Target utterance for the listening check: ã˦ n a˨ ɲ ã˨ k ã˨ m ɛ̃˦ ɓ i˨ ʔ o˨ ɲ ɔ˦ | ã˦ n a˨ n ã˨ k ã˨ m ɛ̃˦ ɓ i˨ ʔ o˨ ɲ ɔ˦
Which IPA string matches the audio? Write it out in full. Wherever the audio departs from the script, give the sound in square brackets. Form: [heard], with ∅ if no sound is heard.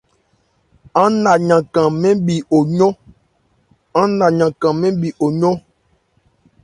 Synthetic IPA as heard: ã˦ n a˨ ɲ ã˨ k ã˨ m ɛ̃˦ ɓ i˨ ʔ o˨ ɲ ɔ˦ | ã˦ n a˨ [ɲ] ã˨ k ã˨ m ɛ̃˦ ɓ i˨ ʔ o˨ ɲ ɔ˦